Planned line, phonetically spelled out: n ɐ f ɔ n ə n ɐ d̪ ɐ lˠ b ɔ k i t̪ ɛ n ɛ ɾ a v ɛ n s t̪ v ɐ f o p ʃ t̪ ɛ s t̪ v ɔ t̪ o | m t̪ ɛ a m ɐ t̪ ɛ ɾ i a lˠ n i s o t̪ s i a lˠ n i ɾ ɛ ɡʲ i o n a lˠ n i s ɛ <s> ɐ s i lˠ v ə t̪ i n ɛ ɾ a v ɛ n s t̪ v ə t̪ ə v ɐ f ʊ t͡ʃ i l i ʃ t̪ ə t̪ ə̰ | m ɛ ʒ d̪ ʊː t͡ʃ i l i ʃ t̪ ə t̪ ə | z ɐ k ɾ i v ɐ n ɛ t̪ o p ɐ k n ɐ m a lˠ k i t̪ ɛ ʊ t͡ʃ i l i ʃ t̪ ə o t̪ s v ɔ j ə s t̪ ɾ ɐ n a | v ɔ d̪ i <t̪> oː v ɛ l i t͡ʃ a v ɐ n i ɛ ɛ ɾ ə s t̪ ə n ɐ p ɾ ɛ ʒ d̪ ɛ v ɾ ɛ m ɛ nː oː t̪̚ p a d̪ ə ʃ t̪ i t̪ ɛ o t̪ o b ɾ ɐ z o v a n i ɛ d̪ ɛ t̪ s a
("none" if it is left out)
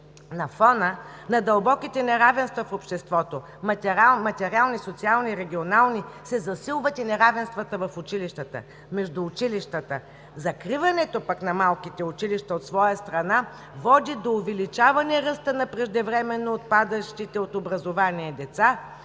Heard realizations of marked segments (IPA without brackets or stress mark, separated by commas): z, d̪